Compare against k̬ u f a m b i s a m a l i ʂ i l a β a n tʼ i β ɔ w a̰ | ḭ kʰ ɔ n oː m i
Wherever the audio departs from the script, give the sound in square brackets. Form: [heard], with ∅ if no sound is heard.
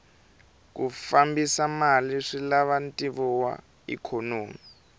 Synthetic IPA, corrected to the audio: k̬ u f a m b i s a m a l i ʂ i l a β a n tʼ i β ɔ w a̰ | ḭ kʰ ɔ n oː m i